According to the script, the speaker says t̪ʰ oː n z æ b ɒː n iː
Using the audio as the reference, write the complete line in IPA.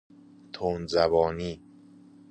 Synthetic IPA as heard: t̪ʰ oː n z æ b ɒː n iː